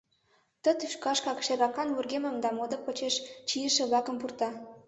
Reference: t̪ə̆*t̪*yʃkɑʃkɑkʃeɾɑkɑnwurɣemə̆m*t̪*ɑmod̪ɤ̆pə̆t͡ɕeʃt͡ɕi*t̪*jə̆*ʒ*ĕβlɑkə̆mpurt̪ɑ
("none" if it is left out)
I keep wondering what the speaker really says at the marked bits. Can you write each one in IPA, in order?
t̪, d̪, none, ʃ

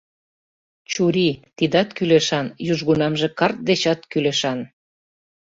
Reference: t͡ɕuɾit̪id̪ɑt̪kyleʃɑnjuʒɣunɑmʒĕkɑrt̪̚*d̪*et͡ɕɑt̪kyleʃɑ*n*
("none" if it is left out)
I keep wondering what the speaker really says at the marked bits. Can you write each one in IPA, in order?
d̪, n

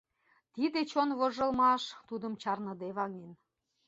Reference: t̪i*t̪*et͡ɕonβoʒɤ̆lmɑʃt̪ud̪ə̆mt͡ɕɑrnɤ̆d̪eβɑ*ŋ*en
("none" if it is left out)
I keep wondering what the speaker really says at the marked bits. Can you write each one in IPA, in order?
d̪, ŋ

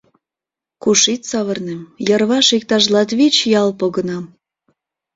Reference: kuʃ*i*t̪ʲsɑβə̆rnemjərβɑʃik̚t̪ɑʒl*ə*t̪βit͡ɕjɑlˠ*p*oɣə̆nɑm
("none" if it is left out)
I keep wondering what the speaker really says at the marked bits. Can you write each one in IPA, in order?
i, ɑ, p

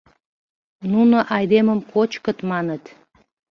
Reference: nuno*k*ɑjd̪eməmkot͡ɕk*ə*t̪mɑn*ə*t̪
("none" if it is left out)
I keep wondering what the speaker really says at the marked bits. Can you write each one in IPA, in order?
ʔ, ə, ə

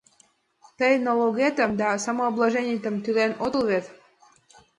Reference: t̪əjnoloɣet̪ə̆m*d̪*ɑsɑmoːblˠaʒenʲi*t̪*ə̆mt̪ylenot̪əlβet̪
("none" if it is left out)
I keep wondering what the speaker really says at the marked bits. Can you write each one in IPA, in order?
d̪, t̪

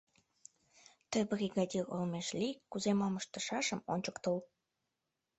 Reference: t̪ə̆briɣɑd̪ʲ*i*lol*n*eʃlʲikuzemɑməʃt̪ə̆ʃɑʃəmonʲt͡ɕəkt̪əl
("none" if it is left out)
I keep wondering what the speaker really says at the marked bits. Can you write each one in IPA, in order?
i, m

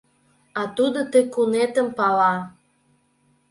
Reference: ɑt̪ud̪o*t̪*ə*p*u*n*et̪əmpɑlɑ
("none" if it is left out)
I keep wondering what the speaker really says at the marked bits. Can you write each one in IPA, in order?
t̪, k, n

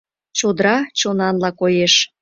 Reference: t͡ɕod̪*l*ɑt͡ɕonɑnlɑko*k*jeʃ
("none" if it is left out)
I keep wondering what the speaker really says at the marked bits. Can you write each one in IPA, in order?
ɾ, none

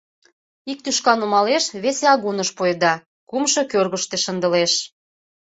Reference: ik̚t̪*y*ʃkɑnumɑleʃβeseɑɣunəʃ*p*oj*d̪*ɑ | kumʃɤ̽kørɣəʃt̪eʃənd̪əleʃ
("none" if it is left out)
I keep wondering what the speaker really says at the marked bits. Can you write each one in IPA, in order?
y, p, d̪

